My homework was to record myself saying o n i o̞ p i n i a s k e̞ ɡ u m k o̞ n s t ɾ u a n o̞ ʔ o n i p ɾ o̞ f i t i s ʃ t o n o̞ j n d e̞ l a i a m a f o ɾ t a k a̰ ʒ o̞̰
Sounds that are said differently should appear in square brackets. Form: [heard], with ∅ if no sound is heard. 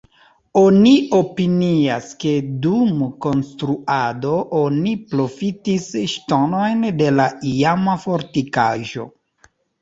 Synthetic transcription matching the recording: o n i o̞ p i n i a s k e̞ [d] u m k o̞ n s t ɾ u a [d] o̞ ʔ o n i p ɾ o̞ f i t i s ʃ t o n o̞ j n d e̞ l a i a m a f o ɾ t [i] k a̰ ʒ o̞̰